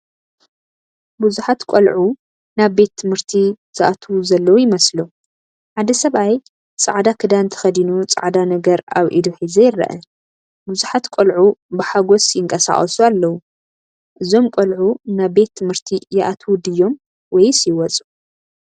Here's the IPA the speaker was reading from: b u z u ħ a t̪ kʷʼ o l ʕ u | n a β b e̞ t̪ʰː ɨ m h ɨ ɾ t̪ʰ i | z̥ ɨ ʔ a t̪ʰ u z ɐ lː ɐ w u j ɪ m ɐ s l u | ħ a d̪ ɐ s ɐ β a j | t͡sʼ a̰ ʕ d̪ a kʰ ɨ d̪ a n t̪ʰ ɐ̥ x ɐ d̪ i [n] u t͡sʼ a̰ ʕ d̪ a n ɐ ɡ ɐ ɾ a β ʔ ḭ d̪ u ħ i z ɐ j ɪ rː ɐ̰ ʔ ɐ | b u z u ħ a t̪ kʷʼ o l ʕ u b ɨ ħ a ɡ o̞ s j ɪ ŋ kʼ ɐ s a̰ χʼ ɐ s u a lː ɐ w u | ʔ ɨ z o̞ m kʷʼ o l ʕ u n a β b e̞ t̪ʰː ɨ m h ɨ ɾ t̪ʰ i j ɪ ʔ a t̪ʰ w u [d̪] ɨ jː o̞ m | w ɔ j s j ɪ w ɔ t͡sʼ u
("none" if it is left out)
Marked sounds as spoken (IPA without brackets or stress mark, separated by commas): n, d̪